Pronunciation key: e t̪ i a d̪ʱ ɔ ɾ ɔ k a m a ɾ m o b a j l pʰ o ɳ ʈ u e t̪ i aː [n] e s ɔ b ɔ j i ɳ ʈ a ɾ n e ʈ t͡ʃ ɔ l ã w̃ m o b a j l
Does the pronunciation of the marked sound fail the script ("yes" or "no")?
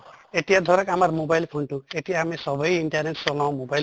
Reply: yes